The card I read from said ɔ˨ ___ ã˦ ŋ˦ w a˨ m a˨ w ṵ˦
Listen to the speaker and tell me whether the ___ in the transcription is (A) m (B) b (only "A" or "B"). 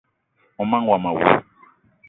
A